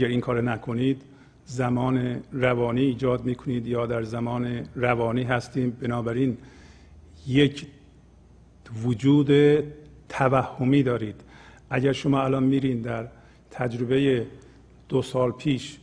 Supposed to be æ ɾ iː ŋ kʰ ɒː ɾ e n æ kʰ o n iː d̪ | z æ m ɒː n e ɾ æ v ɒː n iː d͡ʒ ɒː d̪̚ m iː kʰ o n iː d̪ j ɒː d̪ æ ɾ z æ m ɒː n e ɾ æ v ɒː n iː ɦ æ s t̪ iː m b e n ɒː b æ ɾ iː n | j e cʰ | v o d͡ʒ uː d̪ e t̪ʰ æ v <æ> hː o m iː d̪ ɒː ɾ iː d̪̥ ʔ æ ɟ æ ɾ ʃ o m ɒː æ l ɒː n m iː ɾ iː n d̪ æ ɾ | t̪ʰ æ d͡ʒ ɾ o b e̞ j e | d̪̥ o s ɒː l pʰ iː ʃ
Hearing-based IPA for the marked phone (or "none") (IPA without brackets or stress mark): æ